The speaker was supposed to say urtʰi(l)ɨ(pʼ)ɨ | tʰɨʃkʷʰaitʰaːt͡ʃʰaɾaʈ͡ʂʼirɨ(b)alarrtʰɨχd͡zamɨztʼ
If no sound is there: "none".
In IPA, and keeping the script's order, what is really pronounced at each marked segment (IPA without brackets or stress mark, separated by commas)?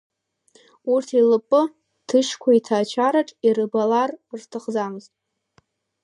l, pʼ, b